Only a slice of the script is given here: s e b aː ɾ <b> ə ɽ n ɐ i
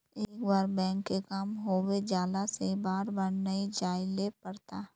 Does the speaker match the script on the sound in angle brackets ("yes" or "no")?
yes